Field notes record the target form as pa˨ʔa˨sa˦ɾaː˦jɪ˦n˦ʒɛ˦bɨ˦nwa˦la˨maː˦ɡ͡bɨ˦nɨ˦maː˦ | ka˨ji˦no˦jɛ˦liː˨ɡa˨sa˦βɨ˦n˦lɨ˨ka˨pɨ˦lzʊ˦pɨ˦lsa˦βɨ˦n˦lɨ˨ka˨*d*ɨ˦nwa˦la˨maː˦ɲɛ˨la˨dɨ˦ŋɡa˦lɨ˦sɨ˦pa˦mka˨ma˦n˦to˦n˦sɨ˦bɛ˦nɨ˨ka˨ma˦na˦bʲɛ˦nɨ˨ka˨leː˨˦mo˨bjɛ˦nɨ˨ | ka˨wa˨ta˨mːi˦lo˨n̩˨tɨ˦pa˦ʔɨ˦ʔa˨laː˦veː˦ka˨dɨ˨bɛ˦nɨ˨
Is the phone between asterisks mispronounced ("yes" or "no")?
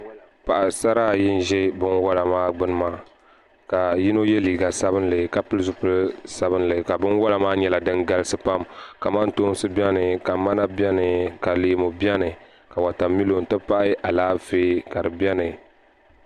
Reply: yes